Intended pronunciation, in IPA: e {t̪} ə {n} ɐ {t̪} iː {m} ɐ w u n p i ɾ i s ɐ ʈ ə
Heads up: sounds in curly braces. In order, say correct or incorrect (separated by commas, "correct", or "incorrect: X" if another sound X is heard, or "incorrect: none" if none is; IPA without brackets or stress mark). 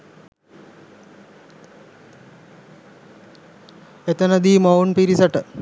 correct, correct, incorrect: d̪, correct